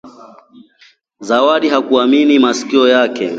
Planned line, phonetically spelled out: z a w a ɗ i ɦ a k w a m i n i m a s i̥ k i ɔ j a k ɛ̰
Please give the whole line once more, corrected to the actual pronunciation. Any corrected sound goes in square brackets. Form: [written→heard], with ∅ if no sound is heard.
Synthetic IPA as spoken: z a w a ɗ i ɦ a k [w→u] a m i n i m a s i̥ k i ɔ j a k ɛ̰